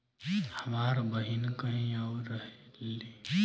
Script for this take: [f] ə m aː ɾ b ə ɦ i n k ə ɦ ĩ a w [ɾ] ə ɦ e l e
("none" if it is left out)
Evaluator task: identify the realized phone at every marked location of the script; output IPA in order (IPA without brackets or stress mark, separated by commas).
h, ɾ